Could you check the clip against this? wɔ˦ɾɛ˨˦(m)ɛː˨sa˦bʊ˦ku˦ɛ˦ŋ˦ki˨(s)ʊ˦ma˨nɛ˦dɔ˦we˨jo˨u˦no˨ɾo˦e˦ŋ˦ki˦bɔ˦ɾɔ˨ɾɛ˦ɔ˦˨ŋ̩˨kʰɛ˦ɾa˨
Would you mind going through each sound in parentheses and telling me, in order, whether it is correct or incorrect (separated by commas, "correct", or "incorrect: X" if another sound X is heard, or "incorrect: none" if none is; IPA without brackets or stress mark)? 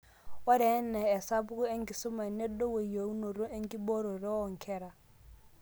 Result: incorrect: n, correct